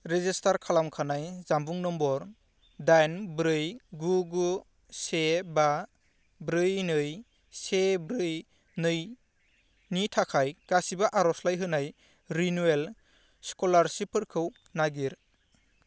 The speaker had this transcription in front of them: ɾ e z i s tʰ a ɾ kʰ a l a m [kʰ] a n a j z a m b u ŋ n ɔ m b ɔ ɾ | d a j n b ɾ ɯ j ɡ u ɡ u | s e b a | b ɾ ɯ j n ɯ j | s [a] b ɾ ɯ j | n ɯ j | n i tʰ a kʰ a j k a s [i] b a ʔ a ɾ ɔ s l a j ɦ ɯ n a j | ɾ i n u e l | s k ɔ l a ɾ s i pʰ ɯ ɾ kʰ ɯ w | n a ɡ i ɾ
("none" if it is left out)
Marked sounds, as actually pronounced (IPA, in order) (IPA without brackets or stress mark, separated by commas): kʰ, e, i